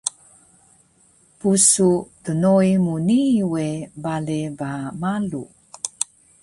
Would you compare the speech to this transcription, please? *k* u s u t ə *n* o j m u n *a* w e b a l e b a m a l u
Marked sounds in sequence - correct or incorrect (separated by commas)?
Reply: incorrect, correct, incorrect